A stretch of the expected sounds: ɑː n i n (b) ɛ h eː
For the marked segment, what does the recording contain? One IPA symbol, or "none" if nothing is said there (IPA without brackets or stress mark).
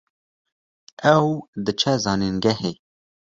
ɡ